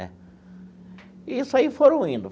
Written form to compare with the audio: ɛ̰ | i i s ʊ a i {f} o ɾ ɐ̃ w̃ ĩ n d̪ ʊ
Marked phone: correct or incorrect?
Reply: correct